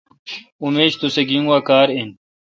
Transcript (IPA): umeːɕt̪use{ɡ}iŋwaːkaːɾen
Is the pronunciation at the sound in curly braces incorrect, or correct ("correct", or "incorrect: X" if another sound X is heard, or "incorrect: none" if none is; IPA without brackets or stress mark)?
correct